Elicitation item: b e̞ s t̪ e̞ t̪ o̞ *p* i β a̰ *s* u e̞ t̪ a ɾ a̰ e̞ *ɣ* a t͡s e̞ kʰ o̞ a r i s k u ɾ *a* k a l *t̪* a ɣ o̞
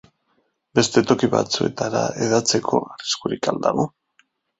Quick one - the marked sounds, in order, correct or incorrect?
incorrect: k, incorrect: t͡s, incorrect: ð, incorrect: i, incorrect: d̪

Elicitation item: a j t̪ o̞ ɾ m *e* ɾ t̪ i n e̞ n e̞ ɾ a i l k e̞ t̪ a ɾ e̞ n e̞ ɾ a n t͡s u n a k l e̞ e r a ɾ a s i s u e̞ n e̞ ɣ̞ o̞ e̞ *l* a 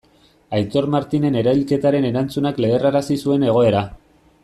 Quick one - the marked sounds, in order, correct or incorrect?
incorrect: a, incorrect: ɾ

